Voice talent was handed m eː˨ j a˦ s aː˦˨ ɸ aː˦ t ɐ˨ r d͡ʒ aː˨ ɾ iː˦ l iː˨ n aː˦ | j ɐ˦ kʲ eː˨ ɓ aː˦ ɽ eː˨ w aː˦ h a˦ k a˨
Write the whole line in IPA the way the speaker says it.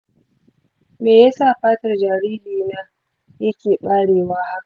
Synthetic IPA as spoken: m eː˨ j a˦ s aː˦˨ ɸ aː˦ t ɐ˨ r d͡ʒ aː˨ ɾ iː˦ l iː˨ n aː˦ | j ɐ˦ kʲ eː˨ ɓ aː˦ ɽ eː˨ w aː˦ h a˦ k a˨